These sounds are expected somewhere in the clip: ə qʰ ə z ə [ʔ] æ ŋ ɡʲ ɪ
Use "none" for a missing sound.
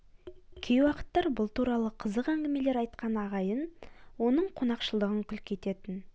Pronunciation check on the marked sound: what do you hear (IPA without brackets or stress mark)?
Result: q